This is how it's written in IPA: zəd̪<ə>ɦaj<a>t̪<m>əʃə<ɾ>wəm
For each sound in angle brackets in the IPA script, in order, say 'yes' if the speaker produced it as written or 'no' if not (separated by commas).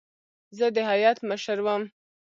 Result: yes, no, yes, yes